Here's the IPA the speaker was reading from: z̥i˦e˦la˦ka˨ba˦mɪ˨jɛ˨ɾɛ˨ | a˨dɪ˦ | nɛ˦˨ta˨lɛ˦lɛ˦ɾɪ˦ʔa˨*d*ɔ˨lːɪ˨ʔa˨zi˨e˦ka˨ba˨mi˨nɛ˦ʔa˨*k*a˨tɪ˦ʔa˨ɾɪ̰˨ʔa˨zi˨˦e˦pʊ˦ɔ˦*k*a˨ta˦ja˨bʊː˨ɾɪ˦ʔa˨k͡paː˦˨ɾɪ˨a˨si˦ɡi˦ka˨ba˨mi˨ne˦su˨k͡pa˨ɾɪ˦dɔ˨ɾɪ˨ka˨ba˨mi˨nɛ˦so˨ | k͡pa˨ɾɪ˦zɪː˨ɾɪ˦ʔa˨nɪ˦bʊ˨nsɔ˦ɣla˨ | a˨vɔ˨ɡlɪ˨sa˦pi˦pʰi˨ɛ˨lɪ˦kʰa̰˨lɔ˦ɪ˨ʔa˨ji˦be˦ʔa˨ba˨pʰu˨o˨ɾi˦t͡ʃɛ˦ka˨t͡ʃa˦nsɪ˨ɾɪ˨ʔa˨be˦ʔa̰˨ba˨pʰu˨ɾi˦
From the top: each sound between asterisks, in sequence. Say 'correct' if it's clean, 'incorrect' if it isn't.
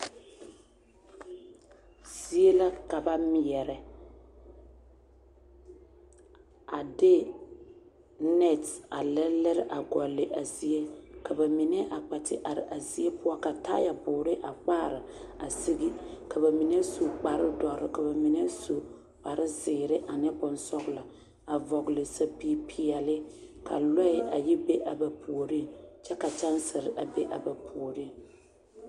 incorrect: ɡ, incorrect: k͡p, correct

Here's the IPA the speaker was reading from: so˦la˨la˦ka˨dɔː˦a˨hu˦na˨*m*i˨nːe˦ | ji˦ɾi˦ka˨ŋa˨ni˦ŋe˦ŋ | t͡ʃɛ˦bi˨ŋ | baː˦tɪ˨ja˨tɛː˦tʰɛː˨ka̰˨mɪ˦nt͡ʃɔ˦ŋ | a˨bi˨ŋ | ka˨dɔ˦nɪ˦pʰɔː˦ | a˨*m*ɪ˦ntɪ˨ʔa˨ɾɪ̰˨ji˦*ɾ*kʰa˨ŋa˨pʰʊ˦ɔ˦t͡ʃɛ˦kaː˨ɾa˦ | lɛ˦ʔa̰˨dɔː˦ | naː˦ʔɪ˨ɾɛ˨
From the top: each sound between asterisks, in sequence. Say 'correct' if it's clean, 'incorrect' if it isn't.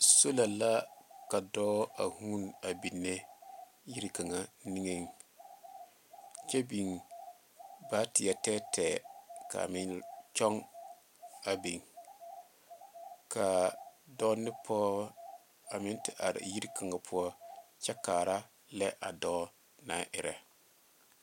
incorrect: b, correct, correct

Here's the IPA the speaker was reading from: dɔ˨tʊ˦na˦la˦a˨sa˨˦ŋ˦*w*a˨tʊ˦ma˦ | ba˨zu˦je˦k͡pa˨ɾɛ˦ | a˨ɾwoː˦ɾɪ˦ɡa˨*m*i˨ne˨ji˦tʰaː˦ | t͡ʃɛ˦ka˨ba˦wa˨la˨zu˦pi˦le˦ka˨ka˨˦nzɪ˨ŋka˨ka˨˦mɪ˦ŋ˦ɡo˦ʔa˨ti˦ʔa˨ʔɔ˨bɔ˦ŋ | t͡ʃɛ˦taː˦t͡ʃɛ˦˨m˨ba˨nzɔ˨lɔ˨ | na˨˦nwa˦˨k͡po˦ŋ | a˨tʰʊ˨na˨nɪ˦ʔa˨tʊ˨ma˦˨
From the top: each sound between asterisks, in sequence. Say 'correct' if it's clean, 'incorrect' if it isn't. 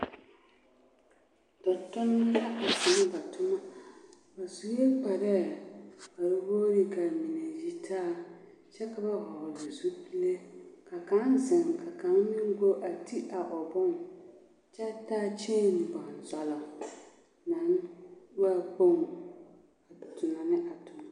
incorrect: b, correct

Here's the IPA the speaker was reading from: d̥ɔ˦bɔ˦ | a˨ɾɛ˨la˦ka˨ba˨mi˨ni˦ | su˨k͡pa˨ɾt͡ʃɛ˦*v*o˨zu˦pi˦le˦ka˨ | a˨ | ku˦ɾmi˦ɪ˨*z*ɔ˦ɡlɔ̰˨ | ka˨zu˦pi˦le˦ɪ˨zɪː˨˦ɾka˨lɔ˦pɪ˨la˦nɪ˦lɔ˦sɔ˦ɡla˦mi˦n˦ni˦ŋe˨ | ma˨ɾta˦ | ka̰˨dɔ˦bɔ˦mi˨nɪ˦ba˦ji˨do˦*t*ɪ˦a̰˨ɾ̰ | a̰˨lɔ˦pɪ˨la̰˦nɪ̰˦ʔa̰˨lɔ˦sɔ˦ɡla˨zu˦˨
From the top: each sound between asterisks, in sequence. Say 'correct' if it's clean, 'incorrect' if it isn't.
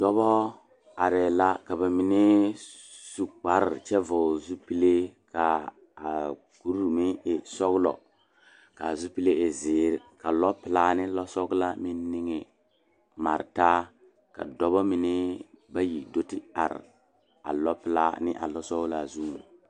correct, incorrect: s, correct

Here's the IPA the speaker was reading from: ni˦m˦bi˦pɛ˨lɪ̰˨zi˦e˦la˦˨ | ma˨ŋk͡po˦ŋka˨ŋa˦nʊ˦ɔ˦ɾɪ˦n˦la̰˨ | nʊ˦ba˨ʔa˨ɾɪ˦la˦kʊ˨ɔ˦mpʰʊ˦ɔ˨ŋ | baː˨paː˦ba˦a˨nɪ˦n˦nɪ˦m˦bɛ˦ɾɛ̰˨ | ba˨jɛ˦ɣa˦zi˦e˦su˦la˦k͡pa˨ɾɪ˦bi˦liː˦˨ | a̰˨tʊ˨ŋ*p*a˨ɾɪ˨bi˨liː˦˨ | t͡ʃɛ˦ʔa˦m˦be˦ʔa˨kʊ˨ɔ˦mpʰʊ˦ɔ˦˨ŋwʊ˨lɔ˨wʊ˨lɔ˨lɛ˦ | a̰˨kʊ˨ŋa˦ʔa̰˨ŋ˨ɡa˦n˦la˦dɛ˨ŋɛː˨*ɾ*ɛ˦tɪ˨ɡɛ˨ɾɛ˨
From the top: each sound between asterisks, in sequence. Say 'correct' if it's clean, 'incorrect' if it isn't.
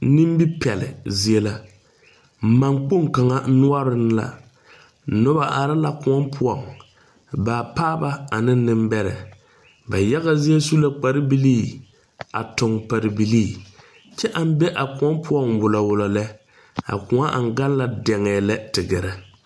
correct, incorrect: l

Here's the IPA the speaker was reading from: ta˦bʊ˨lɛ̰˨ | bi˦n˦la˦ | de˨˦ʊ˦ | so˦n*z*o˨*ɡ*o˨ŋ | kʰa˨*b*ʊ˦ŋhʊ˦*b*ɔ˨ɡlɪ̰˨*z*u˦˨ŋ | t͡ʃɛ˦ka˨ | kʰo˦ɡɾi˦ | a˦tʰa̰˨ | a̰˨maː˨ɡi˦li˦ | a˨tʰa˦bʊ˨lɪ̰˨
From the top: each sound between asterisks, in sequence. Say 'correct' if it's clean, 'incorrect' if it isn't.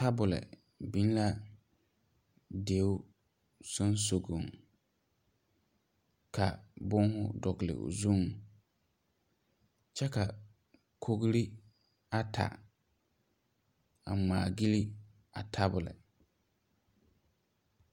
incorrect: s, correct, correct, incorrect: d, correct

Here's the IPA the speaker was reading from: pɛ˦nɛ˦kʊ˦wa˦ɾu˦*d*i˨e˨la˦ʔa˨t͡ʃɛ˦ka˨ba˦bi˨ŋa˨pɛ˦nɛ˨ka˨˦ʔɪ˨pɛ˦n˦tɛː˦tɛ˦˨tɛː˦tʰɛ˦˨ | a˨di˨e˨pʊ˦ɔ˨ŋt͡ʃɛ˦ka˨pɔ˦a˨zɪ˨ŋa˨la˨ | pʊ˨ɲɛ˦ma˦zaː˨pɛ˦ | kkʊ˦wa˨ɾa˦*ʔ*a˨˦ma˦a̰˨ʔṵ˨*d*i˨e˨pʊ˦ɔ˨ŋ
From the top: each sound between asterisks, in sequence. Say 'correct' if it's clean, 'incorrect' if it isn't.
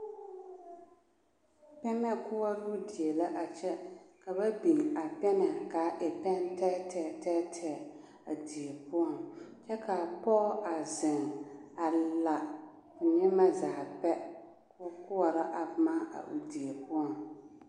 correct, correct, correct

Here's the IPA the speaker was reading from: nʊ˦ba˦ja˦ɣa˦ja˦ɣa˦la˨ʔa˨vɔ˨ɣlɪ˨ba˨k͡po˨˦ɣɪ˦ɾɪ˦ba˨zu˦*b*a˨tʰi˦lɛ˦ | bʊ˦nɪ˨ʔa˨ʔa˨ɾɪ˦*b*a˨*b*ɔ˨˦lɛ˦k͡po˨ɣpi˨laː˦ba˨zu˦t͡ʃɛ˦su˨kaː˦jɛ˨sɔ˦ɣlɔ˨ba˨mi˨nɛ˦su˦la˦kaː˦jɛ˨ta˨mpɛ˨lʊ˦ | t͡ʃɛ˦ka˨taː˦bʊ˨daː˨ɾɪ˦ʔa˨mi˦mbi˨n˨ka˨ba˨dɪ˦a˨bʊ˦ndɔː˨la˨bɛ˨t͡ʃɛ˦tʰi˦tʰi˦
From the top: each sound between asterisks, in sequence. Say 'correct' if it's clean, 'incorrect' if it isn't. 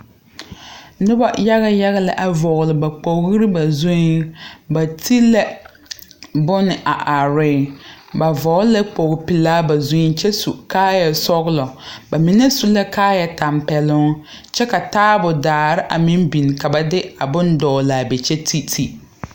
correct, correct, incorrect: v

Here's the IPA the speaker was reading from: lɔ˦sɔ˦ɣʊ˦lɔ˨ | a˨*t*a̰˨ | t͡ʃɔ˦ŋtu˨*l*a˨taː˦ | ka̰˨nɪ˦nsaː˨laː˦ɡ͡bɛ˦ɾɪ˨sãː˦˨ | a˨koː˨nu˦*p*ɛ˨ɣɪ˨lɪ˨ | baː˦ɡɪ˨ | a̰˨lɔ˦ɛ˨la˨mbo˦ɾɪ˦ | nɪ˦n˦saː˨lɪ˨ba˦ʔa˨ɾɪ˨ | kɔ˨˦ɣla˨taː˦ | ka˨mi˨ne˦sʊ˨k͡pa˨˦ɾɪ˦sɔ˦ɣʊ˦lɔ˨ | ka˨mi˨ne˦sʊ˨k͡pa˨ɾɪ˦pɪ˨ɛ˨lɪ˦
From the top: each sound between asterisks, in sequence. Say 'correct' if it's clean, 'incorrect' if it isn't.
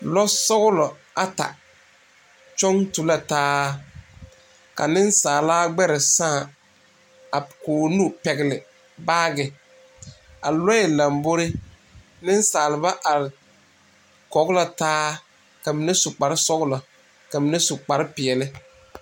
correct, correct, correct

